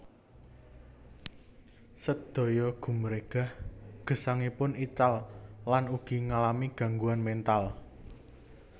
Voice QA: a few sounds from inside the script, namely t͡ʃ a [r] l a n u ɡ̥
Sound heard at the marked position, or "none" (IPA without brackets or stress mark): l